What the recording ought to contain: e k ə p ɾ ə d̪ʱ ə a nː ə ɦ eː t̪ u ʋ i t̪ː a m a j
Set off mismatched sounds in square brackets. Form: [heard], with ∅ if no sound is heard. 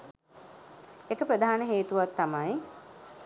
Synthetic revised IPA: e k ə p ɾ ə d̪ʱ [a] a [n] ə ɦ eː t̪ u ʋ [a] t̪ː a m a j